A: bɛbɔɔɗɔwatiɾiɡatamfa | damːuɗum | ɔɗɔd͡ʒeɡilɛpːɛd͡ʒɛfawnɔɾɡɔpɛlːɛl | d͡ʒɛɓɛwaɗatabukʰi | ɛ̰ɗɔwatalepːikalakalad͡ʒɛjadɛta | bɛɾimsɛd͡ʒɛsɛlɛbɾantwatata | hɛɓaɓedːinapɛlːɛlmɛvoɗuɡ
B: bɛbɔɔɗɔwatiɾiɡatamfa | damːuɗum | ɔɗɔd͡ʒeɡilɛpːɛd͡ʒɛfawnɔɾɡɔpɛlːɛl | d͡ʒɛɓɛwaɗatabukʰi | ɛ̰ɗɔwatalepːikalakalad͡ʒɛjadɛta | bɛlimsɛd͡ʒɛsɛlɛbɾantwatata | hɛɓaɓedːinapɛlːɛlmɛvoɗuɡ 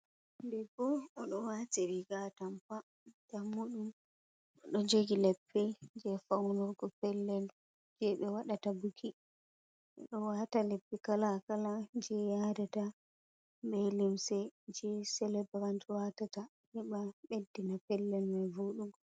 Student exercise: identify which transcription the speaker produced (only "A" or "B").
B